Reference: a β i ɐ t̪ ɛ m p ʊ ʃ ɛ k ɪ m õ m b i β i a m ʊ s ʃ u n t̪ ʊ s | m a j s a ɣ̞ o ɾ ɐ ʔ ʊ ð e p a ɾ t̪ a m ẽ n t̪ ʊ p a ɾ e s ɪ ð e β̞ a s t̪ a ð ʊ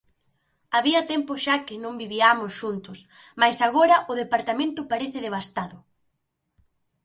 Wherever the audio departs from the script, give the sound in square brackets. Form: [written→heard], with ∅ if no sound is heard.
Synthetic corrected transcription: a β i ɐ t̪ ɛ m p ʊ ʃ [ɛ→a] k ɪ [m→n] õ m b i β i a m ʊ s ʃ u n t̪ ʊ s | m a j s a ɣ̞ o ɾ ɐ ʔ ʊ ð e p a ɾ t̪ a m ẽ n t̪ ʊ p a ɾ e [s→θ] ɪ ð e β̞ a s t̪ a ð ʊ